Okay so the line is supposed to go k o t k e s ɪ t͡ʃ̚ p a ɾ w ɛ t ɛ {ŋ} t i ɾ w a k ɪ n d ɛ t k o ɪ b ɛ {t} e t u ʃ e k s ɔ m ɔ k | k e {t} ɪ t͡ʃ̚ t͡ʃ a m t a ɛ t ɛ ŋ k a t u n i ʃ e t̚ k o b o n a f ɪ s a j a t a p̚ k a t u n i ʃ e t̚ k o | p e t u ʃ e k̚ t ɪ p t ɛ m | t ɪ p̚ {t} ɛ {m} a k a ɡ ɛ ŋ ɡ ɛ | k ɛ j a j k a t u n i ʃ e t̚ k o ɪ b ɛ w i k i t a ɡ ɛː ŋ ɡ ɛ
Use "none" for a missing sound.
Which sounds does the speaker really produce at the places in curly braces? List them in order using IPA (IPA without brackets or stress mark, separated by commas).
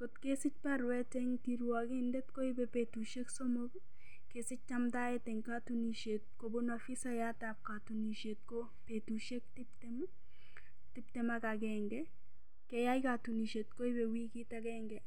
ŋ, p, s, t, m